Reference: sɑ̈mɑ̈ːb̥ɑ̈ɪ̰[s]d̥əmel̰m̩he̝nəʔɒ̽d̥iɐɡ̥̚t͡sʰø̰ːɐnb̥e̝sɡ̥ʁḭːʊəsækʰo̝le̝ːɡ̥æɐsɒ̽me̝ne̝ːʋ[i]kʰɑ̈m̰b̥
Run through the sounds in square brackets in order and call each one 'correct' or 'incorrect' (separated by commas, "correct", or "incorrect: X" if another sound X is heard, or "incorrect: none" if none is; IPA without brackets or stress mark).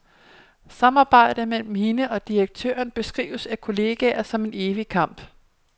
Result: incorrect: none, correct